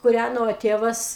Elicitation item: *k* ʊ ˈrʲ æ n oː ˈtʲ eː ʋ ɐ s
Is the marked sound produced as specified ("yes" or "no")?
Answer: yes